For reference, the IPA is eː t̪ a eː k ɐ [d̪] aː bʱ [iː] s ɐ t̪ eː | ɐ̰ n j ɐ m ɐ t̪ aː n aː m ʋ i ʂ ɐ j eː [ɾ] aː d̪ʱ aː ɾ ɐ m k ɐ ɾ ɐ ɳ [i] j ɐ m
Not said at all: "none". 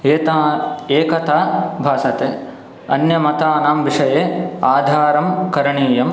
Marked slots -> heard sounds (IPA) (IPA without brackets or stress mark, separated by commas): t̪, aː, none, iː